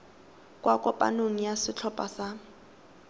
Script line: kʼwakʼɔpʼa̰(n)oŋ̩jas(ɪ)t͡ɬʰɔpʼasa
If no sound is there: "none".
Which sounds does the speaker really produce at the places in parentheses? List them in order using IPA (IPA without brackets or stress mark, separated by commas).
n, ɪ